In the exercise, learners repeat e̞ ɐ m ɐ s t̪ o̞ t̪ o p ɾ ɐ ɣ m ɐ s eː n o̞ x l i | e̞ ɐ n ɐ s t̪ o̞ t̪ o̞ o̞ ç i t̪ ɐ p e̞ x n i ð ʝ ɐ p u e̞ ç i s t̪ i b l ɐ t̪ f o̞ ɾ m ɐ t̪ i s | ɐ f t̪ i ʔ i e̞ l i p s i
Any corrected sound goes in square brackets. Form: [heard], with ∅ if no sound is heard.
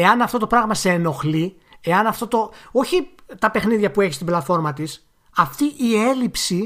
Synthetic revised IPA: e̞ ɐ [n] ɐ [f] t̪ o̞ t̪ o p ɾ ɐ ɣ m ɐ s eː n o̞ x l i | e̞ ɐ n ɐ [f] t̪ o̞ t̪ o̞ o̞ ç i t̪ ɐ p e̞ x n i ð ʝ ɐ p u e̞ ç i s t̪ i b l ɐ t̪ f o̞ ɾ m ɐ t̪ i s | ɐ f t̪ i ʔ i e̞ l i p s i